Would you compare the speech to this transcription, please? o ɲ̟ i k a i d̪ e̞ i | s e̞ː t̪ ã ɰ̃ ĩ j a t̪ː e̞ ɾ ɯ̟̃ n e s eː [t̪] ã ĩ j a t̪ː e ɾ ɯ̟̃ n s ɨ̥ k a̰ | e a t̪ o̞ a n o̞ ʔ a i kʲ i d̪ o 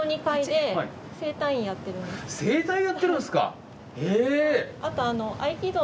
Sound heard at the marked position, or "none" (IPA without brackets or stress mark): t̪